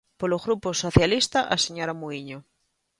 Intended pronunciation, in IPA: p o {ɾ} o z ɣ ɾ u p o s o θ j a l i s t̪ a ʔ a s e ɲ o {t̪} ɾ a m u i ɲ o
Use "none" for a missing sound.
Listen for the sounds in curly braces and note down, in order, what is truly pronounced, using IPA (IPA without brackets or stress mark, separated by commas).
l, none